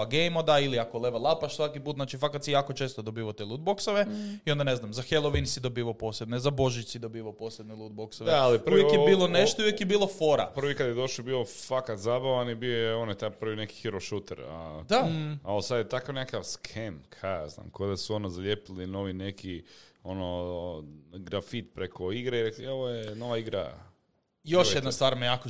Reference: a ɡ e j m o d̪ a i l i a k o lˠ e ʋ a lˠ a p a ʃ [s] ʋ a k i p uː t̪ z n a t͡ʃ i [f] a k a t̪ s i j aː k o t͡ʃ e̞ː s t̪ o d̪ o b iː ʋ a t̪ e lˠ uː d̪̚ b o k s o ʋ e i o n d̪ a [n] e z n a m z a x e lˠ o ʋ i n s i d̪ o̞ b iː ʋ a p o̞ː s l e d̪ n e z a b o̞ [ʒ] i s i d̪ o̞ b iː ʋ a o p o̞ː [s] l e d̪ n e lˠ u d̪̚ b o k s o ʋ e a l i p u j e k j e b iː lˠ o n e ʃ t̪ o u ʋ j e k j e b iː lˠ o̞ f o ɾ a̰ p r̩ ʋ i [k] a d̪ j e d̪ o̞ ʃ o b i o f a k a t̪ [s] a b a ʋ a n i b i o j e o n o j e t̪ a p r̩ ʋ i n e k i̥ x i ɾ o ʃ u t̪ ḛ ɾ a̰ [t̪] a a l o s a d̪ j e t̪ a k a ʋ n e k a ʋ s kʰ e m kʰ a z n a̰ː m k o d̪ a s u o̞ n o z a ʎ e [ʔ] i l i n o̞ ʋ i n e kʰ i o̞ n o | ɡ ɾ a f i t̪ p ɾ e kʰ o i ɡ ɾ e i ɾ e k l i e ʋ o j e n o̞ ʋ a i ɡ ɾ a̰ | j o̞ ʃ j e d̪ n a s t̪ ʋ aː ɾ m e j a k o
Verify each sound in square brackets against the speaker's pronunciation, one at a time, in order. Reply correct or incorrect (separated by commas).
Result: correct, correct, correct, correct, correct, correct, incorrect, incorrect, incorrect